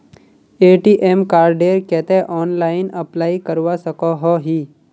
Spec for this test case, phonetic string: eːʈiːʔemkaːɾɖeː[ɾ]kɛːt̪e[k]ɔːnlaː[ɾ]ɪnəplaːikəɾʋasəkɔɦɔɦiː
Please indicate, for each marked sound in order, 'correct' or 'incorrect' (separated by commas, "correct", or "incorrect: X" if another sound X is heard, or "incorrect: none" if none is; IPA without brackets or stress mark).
correct, incorrect: ʔ, incorrect: none